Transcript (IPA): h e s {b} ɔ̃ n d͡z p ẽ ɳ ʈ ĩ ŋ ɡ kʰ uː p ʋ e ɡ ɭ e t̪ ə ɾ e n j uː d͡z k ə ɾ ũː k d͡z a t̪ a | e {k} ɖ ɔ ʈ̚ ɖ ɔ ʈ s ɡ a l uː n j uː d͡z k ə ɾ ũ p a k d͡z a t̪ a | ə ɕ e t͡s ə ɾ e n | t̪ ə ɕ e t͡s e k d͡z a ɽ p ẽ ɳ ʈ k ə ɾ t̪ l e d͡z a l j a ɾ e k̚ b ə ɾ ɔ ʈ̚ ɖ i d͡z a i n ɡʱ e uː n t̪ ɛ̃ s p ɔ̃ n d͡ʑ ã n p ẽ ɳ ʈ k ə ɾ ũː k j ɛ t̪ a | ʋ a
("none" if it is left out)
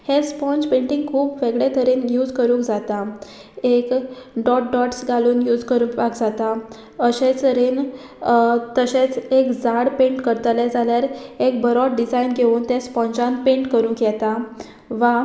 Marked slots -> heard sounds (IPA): p, k

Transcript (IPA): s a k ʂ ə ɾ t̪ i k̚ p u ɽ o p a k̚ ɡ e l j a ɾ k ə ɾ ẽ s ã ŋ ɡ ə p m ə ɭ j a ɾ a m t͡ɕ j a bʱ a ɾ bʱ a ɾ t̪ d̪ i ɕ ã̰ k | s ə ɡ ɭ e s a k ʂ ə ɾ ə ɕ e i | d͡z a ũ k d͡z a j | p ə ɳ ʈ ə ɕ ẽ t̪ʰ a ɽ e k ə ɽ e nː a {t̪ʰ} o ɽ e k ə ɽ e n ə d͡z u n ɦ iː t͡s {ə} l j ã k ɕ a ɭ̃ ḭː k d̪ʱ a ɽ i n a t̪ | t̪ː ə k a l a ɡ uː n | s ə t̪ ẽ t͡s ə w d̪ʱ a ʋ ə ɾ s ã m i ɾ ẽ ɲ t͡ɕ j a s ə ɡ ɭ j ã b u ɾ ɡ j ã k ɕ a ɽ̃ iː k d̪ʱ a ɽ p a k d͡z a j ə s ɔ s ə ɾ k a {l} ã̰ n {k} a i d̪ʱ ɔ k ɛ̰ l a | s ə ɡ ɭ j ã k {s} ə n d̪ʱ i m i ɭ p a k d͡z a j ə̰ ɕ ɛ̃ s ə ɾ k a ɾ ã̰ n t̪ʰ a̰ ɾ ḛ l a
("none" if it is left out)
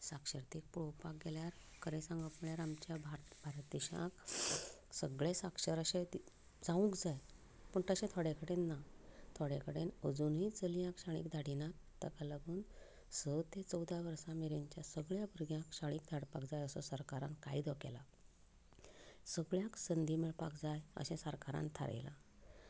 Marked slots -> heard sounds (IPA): t̪ʰ, ə, ɾ, k, s

